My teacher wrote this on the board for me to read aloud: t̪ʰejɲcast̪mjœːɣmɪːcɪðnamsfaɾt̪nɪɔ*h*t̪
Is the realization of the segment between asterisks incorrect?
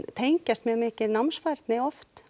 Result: yes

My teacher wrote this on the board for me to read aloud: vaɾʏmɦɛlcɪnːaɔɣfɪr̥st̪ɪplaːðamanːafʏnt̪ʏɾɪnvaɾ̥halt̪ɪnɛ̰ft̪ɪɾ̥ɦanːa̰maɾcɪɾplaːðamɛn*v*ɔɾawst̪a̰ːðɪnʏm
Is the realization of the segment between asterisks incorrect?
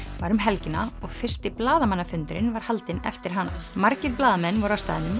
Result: no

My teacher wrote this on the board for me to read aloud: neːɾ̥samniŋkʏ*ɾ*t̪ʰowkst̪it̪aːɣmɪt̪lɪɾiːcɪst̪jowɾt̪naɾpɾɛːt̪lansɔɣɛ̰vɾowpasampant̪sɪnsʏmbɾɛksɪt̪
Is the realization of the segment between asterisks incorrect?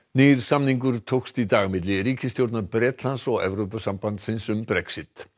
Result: no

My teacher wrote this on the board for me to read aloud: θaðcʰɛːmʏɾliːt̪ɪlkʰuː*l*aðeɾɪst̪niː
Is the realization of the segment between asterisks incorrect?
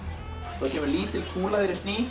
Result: no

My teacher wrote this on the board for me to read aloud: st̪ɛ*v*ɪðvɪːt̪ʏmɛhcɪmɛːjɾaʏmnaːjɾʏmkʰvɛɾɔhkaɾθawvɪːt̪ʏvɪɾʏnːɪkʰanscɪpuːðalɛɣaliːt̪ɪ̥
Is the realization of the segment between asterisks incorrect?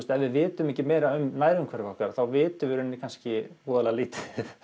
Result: no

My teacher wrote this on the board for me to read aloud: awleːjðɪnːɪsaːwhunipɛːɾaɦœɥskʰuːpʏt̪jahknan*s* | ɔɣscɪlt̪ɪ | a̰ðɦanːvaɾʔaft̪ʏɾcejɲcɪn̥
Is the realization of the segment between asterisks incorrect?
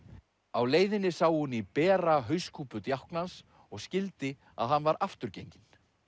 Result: no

